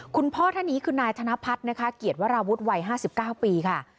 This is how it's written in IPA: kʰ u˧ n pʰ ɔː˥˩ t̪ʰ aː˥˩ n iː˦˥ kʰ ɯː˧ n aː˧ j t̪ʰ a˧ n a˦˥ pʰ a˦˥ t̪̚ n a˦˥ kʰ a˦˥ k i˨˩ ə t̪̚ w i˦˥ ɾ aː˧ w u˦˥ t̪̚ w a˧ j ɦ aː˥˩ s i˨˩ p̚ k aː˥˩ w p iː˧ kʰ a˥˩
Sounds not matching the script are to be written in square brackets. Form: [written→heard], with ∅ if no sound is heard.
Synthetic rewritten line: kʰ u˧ n pʰ ɔː˥˩ t̪ʰ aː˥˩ n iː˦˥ kʰ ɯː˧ n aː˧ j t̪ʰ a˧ n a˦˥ pʰ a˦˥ t̪̚ n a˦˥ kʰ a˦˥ k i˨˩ ə t̪̚ w [i˦˥→a˦˥] ɾ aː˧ w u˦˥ t̪̚ w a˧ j ɦ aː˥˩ s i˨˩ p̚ k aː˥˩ w p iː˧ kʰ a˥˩